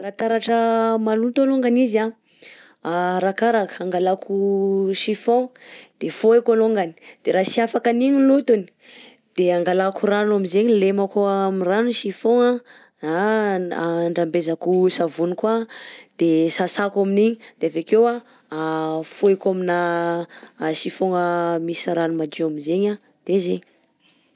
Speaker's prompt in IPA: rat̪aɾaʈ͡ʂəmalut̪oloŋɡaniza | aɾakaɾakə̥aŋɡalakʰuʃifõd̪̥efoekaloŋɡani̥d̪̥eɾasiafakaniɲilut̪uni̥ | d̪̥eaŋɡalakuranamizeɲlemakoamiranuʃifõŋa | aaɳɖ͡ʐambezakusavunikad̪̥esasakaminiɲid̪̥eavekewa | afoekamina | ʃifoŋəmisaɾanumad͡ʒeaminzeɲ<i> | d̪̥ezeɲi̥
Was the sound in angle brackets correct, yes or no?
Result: no